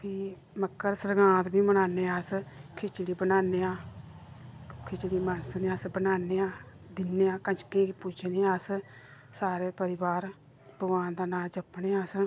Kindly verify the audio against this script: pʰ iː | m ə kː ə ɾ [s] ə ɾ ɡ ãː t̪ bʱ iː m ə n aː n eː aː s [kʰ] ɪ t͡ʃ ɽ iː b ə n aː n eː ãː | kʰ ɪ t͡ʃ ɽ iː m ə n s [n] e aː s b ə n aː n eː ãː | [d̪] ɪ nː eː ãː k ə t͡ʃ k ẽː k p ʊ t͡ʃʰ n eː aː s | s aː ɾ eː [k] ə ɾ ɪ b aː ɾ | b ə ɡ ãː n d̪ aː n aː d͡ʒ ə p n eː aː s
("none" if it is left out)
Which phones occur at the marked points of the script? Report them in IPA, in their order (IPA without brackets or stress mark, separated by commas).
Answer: s, kʰ, n, d̪, p